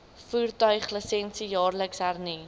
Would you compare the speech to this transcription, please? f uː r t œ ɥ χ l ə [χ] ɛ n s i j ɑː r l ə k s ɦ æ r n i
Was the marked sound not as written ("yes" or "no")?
yes